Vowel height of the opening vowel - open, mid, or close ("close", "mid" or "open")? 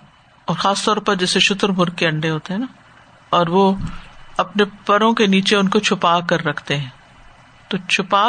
mid